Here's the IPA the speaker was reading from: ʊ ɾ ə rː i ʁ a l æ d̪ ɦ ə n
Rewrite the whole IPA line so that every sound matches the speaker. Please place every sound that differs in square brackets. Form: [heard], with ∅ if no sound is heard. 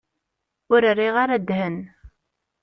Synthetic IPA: ʊ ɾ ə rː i ʁ a [ɾ] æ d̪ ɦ ə n